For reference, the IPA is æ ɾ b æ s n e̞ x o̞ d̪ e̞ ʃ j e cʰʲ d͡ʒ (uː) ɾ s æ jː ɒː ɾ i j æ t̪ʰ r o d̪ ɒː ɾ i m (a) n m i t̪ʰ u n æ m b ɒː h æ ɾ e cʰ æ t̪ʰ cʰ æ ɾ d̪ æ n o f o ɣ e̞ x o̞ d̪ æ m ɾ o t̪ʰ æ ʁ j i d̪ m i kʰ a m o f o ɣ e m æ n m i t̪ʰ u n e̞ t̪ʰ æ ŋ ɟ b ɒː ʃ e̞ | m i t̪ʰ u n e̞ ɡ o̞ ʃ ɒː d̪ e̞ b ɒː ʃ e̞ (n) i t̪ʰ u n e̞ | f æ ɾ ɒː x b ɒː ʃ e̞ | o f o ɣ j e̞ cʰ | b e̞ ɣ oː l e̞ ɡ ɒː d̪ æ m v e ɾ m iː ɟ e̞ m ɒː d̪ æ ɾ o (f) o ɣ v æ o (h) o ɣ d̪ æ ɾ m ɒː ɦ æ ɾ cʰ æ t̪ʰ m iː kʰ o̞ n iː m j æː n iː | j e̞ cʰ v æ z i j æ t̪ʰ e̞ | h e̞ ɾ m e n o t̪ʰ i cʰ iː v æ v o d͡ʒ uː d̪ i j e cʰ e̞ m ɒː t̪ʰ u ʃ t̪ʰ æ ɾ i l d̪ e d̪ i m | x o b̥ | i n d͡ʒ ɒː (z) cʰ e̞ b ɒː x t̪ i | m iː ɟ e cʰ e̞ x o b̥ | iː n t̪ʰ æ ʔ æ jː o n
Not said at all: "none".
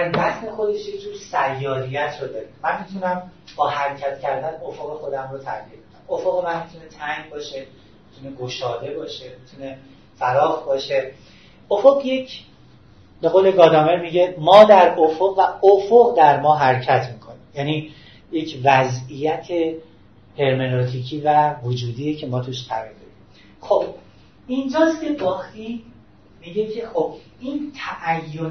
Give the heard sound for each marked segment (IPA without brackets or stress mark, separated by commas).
uː, æ, m, f, f, s